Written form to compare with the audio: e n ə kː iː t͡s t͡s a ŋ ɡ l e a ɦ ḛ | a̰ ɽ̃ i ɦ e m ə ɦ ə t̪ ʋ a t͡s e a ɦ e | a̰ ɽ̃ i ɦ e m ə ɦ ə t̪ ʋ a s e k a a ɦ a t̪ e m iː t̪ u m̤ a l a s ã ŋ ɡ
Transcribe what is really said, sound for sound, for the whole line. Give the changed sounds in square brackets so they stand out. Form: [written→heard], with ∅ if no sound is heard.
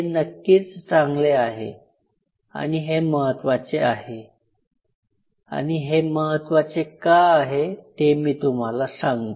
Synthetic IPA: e n ə kː iː t͡s t͡s a ŋ ɡ l e a ɦ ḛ | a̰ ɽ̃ i ɦ e m ə ɦ ə t̪ ʋ a t͡s e a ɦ e | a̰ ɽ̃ i ɦ e m ə ɦ ə t̪ ʋ a [s→t͡s] e k a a ɦ [a→e] t̪ e m iː t̪ u m̤ a l a s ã ŋ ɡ